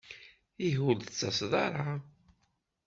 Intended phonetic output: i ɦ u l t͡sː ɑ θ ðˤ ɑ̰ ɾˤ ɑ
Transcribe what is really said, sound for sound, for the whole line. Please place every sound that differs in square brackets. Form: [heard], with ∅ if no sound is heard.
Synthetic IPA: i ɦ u l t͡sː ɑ [s] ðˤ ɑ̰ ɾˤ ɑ